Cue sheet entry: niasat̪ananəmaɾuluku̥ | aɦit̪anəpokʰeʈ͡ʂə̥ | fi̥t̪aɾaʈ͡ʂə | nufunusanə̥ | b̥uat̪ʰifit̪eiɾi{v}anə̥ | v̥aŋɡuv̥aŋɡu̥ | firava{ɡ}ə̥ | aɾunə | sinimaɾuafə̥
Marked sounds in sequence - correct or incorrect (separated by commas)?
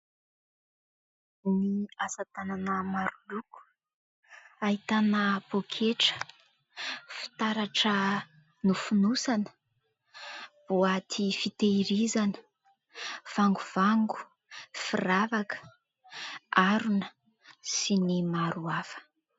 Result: incorrect, incorrect